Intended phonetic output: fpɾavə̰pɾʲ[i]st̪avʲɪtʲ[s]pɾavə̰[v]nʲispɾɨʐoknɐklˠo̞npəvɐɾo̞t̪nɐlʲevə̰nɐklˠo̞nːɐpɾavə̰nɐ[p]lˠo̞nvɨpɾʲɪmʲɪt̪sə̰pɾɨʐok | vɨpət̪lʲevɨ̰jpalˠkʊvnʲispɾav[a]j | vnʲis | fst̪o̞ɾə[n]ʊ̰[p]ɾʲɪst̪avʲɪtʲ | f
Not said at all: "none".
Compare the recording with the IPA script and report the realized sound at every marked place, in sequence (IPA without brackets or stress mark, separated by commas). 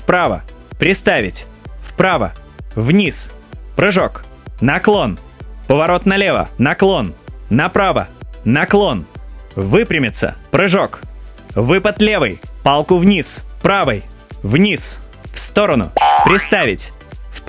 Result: ɪ, f, v, k, ə, n, p